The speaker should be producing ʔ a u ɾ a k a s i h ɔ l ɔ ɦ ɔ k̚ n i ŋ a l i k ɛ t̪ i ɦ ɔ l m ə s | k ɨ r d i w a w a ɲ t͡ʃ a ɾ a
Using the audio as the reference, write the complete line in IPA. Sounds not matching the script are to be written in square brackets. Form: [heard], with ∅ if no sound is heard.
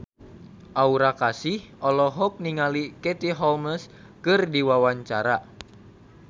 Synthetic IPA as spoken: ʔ a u ɾ a k a s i h ɔ l ɔ ɦ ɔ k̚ n i ŋ a l i k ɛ t̪ i ɦ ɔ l m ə s | k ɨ r d i w a w a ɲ t͡ʃ a ɾ a